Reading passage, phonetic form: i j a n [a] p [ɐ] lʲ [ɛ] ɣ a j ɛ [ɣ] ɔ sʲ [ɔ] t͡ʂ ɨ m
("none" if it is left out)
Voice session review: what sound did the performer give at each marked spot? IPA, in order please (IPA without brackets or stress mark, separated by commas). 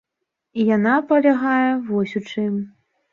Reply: a, ɐ, a, v, u